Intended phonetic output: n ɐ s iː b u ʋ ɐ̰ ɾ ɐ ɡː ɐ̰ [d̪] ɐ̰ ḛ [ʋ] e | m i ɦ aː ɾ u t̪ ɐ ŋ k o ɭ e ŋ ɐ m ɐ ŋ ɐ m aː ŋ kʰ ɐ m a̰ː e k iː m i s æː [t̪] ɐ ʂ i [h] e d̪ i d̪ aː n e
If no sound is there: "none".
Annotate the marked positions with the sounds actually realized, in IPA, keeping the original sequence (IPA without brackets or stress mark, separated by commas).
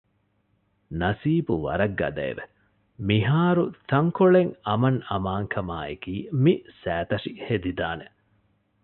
d̪, ʋ, t̪, h